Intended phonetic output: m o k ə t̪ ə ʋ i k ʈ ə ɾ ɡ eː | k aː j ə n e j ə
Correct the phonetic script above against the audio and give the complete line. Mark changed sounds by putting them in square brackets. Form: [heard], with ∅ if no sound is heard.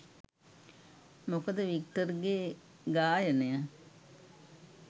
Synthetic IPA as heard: m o k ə [d̪] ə ʋ i k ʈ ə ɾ ɡ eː | [ɡ] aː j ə n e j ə